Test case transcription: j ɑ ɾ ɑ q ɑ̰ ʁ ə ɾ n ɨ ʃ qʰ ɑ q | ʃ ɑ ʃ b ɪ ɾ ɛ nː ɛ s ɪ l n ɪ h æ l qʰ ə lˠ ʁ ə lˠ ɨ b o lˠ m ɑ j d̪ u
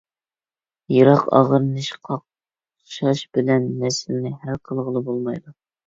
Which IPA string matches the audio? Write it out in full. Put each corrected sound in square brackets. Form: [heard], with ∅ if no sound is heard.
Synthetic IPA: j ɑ ɾ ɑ q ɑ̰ ʁ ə ɾ n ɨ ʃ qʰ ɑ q | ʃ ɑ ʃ b ɪ [l] ɛ nː ɛ s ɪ l n ɪ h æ l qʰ ə lˠ ʁ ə lˠ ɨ b o lˠ m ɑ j d̪ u